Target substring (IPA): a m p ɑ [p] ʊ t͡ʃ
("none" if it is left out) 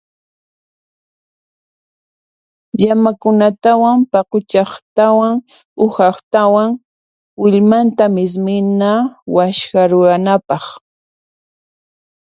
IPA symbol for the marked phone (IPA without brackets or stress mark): q